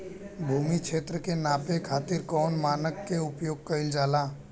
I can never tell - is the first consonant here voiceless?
no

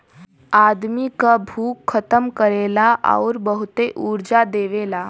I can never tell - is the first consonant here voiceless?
no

